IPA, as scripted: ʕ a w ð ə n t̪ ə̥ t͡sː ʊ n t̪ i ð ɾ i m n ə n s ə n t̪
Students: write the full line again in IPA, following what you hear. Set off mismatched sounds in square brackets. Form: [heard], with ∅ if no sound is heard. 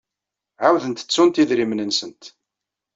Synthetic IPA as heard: ʕ a w ð ə n t̪ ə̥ t͡sː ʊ n t̪ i ð ɾ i m n ə n s ə n t̪

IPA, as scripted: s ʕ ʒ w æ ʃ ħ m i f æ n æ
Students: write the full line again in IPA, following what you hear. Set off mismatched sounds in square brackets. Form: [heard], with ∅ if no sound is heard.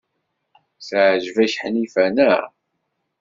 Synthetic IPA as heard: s ʕ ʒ [v] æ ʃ ħ [n] i f æ n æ

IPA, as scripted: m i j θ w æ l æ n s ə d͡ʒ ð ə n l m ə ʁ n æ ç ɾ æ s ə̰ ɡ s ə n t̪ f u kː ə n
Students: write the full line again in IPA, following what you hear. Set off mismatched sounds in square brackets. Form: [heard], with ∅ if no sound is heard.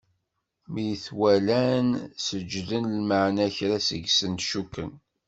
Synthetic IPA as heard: m i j θ w æ l æ n s ə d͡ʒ ð ə n l m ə [ʕ] n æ ç ɾ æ s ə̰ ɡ s ə n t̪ [ʃ] u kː ə n

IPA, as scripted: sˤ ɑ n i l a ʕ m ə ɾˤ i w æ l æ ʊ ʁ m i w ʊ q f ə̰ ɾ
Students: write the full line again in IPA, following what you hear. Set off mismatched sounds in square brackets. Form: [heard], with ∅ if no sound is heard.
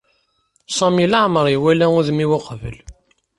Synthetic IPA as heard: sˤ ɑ [m] i l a ʕ m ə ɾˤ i w æ l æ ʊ [ð] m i w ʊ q [v] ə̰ [l]

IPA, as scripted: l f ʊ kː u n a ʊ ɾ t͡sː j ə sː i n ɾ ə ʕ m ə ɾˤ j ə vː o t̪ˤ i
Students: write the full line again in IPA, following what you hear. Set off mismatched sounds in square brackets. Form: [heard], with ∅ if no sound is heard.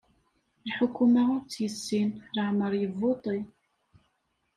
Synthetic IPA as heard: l [ħ] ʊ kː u [m] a ʊ ɾ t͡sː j ə sː i n ɾ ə ʕ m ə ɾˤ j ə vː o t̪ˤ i

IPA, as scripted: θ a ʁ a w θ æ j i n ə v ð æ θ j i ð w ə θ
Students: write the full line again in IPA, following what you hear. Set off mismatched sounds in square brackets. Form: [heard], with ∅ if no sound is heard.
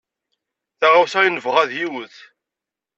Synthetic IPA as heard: θ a ʁ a w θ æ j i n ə v [ʁ] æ [ð] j i [∅] w ə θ

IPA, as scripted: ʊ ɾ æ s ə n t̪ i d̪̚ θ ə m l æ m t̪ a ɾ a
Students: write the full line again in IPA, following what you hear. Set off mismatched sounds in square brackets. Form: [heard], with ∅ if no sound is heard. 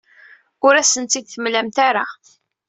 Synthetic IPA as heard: ʊ ɾ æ s ə n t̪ i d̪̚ θ ə m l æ m t̪ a ɾ a

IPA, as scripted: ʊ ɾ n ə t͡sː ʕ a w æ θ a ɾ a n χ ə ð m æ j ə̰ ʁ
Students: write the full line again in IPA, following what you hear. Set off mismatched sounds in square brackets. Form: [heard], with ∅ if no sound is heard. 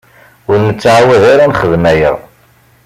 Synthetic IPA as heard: ʊ ɾ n ə t͡sː ʕ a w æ [ð] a ɾ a n χ ə ð m æ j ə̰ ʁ

